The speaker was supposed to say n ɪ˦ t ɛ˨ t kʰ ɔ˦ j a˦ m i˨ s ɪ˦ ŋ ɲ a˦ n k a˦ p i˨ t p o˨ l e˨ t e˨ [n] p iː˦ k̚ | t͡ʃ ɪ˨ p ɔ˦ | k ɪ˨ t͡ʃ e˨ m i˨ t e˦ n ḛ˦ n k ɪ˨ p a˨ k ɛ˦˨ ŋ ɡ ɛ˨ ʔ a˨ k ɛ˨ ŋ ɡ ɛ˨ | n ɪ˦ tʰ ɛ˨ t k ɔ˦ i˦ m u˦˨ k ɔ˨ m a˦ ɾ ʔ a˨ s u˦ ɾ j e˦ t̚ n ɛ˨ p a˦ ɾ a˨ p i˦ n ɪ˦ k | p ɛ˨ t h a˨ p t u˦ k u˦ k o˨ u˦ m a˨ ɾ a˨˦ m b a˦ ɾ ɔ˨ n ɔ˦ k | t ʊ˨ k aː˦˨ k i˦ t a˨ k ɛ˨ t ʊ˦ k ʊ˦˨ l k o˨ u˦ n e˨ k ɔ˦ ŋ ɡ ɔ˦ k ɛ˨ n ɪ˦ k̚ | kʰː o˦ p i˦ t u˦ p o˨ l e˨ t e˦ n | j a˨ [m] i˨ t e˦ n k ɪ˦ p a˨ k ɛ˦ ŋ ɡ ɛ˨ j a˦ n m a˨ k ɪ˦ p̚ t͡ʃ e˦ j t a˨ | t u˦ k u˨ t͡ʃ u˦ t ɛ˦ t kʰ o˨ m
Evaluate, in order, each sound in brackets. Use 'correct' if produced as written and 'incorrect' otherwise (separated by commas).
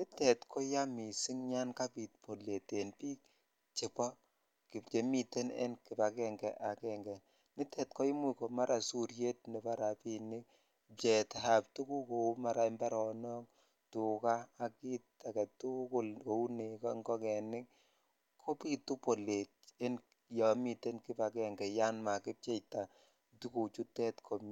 correct, correct